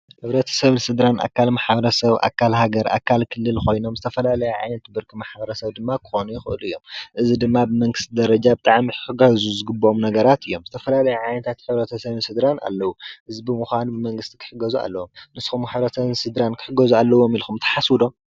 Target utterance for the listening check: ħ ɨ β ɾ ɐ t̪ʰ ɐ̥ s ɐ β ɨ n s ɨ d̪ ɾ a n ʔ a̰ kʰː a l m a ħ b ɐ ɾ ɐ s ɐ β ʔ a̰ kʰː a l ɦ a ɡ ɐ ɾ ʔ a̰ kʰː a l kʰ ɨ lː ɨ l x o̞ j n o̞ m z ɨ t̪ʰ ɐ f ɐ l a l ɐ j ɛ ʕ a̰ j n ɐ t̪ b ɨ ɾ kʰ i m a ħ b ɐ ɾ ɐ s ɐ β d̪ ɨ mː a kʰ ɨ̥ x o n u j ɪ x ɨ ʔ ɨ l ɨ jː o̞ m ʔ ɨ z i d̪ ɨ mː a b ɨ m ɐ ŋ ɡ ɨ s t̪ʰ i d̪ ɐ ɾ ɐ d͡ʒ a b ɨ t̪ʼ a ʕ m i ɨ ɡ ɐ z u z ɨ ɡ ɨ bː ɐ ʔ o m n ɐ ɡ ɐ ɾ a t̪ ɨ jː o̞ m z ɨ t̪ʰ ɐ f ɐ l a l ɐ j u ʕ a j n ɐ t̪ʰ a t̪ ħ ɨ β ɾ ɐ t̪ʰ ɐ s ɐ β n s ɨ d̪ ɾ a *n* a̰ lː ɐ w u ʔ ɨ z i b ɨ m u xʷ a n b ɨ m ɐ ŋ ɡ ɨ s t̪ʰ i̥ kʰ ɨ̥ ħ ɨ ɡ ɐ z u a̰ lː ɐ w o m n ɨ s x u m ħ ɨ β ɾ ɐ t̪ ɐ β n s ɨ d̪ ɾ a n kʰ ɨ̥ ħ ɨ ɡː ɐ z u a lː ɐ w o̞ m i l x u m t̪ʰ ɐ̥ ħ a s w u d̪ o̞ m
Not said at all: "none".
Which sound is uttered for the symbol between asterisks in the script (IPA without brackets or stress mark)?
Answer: n